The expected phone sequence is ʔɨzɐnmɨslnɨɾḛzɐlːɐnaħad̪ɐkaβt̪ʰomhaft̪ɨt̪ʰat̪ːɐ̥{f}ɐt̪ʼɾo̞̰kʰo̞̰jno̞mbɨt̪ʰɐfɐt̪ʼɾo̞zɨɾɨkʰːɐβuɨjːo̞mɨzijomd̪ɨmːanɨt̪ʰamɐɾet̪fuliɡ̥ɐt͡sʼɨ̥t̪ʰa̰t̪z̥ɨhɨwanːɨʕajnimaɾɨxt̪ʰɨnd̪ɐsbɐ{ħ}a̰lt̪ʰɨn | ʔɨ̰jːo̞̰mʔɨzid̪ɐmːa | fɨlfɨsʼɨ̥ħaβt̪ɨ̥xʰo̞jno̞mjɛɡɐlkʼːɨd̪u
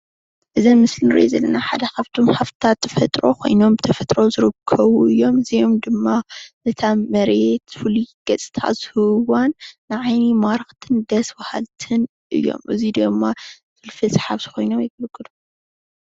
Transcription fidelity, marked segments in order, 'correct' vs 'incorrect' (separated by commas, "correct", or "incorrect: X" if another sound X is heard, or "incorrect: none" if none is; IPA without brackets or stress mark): correct, incorrect: h